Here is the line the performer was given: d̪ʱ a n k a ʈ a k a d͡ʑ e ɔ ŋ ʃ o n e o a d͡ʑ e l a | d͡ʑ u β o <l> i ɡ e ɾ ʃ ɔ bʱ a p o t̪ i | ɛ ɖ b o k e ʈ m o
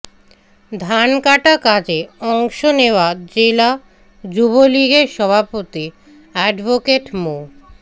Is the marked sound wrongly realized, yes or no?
no